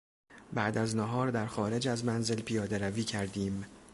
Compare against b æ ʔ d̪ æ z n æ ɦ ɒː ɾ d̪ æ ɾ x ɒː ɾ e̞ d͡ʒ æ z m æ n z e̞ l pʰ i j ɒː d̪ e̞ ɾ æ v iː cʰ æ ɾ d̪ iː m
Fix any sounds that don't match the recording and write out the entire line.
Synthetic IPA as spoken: b æ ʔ d̪ æ z n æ ɦ ɒː ɾ d̪ æ ɾ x ɒː ɾ e̞ d͡ʒ æ z m æ n z e̞ l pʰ i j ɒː d̪ e̞ ɾ æ v iː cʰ æ ɾ d̪ iː m